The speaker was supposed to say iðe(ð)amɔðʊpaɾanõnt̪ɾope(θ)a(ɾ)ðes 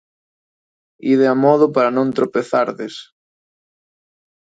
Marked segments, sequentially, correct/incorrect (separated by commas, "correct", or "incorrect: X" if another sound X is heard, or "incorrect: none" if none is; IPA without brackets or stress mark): incorrect: none, correct, correct